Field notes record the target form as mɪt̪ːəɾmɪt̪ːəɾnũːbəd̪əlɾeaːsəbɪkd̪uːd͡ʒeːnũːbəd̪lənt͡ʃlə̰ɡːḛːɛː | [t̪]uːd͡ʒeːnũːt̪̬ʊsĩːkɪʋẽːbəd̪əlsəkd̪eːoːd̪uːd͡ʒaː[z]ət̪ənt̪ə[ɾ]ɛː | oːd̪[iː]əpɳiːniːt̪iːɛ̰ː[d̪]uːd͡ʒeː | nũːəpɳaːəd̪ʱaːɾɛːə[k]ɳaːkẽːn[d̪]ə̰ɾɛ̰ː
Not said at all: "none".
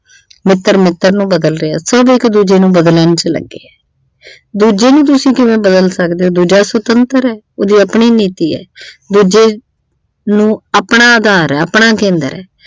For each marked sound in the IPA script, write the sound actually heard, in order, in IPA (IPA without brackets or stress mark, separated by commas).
d̪, s, ɾ, iː, d̪, p, d̪